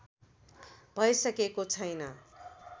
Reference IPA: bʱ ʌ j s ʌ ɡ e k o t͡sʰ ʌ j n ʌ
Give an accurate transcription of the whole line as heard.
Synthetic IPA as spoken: bʱ ʌ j s ʌ k e k o t͡sʰ ʌ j n ʌ